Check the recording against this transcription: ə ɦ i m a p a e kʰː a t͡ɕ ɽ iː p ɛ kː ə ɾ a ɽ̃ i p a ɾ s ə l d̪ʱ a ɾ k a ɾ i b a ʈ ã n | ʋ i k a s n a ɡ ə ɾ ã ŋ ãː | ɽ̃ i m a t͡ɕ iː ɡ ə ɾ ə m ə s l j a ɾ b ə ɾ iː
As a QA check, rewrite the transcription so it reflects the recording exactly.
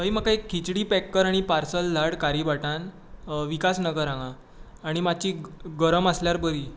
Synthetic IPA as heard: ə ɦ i m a k a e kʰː i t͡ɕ ɽ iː p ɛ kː ə ɾ a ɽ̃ i p a ɾ s ə l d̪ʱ a ɽ k a ɾ i b a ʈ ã n | ʋ i k a s n ə ɡ ə ɾ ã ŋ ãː | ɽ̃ i m a t͡ɕ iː ɡ ə ɾ ə m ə s l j a ɾ b ə ɾ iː